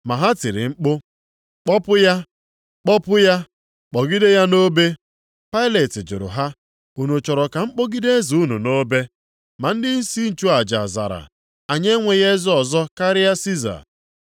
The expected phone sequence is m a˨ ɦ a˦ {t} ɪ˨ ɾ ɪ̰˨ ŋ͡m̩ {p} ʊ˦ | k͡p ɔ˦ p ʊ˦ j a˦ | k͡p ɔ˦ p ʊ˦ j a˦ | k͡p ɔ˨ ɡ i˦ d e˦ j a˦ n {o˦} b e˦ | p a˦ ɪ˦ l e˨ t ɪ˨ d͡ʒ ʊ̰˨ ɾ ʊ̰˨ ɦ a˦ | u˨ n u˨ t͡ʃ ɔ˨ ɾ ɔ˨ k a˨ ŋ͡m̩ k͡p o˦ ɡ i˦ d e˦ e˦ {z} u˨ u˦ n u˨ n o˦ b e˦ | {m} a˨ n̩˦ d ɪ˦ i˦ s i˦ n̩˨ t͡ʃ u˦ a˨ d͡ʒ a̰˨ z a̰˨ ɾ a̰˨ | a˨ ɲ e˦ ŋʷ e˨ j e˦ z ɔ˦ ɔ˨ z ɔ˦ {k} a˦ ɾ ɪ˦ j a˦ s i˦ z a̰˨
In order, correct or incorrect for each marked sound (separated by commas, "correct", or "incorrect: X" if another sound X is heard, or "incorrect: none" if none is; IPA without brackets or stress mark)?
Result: correct, incorrect: k͡p, correct, correct, correct, correct